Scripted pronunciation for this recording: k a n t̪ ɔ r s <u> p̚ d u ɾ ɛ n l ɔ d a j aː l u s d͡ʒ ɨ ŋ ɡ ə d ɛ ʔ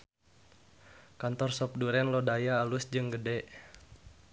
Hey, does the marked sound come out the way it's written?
no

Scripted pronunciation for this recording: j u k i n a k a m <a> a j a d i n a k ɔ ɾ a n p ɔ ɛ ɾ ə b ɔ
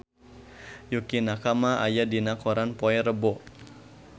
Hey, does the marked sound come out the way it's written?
yes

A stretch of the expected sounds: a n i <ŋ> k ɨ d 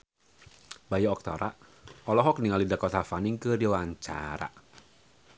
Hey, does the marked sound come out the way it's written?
yes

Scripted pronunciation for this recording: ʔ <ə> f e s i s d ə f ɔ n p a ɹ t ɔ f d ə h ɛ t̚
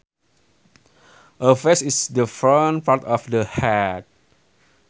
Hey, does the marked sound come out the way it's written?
yes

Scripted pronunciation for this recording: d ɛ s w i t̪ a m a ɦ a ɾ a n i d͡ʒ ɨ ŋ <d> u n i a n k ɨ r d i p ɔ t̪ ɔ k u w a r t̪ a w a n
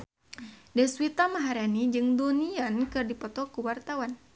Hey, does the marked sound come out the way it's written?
yes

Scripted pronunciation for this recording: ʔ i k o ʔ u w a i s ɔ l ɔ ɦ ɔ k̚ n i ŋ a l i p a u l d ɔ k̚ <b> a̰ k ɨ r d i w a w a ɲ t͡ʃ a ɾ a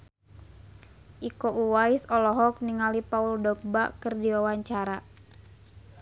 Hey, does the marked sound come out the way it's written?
yes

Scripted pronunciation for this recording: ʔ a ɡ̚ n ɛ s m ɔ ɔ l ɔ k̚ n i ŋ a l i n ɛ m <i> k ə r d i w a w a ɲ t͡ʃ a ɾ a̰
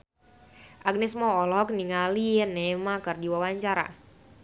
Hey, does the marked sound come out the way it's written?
no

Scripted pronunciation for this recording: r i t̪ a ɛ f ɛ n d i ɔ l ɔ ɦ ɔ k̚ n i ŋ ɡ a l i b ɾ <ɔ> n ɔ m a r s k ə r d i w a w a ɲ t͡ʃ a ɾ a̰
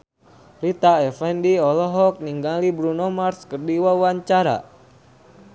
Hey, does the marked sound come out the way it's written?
no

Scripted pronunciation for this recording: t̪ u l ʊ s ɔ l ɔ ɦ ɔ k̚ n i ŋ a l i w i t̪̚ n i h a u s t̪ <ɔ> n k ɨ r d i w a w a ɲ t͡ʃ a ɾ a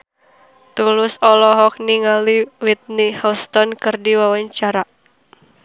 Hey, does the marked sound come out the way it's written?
yes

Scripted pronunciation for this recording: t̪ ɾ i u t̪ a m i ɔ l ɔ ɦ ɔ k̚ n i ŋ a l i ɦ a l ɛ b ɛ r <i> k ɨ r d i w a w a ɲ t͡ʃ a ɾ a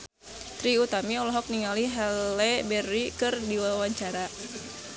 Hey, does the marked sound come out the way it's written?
yes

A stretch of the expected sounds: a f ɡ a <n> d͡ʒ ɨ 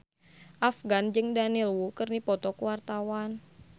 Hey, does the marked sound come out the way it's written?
yes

